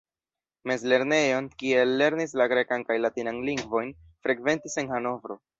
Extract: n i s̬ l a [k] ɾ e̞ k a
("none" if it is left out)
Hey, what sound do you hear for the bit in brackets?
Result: ɡ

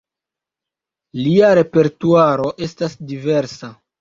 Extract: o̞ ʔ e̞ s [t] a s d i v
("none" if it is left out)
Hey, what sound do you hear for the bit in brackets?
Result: t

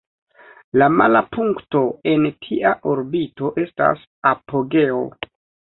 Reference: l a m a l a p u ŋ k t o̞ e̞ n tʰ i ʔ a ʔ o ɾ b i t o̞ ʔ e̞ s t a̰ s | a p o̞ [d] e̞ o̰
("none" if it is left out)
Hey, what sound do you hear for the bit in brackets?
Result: ɡ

